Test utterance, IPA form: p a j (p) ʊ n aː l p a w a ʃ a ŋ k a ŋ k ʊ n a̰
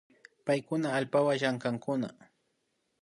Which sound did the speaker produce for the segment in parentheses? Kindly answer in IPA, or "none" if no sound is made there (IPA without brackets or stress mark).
k